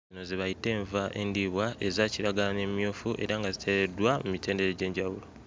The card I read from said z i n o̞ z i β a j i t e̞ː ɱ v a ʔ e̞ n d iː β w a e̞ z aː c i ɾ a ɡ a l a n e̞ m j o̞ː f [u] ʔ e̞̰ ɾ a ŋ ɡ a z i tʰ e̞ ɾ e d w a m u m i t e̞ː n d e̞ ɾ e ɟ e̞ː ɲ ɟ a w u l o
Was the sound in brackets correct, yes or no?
yes